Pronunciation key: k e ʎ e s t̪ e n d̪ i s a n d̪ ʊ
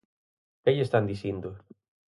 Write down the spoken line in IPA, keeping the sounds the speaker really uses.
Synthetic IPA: k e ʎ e s t̪ a n d̪ i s i n d̪ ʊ